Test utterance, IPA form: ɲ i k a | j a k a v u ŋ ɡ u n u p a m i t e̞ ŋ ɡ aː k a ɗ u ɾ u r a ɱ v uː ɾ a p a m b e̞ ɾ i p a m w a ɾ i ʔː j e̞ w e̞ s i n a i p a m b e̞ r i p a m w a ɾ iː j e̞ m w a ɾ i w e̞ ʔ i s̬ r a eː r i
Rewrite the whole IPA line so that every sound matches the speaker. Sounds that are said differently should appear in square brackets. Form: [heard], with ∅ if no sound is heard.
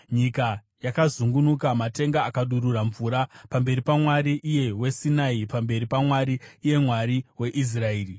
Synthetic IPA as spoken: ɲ i k a | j a k a [z] u ŋ ɡ u n u [k] a m [a] t e̞ ŋ ɡ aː k a ɗ u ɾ u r a ɱ v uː ɾ a p a m b e̞ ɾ i p a m w a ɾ i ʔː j e̞ w e̞ s i n a i p a m b e̞ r i p a m w a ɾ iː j e̞ m w a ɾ i w e̞ ʔ i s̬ r a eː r i